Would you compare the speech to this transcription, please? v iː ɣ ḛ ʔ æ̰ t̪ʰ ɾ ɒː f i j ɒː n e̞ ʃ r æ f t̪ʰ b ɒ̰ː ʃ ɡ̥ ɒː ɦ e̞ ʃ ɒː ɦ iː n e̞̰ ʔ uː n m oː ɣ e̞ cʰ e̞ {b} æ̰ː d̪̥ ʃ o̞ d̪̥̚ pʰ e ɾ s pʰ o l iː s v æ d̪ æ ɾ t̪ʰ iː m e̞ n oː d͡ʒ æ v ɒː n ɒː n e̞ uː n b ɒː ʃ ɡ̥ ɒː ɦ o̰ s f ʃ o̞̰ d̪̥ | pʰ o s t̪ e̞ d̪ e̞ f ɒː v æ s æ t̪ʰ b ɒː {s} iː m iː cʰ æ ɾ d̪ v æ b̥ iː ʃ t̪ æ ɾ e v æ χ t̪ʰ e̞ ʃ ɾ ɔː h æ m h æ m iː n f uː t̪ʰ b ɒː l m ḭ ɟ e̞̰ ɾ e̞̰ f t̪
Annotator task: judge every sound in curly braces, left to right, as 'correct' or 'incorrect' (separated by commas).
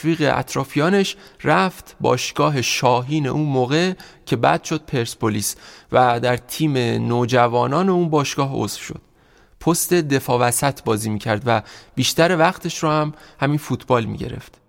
correct, incorrect